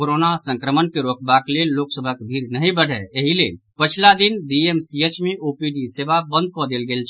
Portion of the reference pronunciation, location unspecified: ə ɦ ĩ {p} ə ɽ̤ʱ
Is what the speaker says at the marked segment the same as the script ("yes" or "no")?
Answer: no